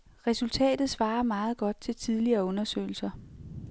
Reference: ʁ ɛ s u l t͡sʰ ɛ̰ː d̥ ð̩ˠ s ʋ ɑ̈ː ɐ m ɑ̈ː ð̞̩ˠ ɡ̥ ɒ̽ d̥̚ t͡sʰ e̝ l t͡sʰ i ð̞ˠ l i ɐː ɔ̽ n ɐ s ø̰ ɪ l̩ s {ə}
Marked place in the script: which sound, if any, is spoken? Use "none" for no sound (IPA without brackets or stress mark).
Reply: ɐ